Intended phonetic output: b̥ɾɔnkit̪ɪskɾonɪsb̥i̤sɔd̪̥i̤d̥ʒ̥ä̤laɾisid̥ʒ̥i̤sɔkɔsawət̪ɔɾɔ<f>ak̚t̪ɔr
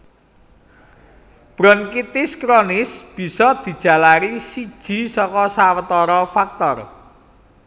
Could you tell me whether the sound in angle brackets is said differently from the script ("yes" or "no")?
no